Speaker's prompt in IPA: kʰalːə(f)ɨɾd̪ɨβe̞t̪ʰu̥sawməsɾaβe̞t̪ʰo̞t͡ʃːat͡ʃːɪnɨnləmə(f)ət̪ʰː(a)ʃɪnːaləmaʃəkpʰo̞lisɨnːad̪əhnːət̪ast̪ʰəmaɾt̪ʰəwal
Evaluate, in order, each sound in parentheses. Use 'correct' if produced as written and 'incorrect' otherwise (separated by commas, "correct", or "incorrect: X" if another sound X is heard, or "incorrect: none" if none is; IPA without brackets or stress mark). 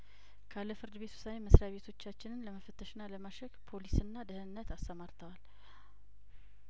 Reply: correct, correct, incorrect: ə